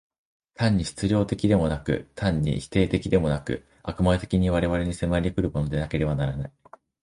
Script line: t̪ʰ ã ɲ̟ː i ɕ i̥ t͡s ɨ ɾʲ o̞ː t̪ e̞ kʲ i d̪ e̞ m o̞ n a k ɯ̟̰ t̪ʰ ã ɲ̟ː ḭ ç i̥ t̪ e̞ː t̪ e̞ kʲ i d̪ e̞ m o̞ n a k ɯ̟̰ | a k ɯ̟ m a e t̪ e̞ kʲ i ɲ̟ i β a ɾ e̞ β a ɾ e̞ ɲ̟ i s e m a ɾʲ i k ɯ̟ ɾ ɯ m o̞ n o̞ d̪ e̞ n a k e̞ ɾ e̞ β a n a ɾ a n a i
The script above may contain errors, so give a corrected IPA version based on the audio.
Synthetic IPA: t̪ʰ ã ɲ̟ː i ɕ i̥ t͡s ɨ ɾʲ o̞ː t̪ e̞ kʲ i d̪ e̞ m o̞ n a k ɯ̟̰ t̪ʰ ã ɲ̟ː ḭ ç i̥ t̪ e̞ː t̪ e̞ kʲ i d̪ e̞ m o̞ n a k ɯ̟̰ | a k ɯ̟ m a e t̪ e̞ kʲ i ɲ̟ i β a ɾ e̞ β a ɾ e̞ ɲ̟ i s e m a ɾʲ i k ɯ̟ ɾ ɯ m o̞ n o̞ d̪ e̞ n a k e̞ ɾ e̞ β a n a ɾ a n a i